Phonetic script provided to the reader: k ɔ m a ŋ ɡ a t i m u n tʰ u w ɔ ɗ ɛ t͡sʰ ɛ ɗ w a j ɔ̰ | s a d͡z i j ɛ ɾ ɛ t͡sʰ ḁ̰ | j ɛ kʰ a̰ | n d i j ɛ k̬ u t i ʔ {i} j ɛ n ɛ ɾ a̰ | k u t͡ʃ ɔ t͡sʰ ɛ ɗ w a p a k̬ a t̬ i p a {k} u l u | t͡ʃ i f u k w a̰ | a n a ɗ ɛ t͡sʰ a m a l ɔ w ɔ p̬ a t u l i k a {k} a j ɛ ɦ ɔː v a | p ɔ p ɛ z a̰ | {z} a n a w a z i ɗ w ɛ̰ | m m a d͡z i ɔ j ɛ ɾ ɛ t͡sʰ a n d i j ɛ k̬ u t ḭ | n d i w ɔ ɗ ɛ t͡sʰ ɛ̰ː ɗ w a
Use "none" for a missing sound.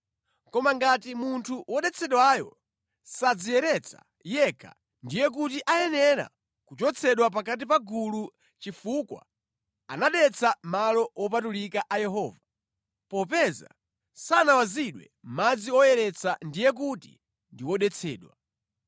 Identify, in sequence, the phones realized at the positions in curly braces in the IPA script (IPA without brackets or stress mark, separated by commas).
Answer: a, ɡ, ʔ, s